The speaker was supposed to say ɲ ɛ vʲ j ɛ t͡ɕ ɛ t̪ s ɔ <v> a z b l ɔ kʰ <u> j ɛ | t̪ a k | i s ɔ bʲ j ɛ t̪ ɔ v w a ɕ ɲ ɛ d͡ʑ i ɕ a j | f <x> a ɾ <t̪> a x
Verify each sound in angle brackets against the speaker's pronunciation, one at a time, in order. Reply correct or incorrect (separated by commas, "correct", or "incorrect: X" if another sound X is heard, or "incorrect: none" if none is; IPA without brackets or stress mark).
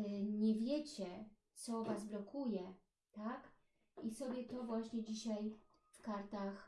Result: correct, correct, incorrect: k, correct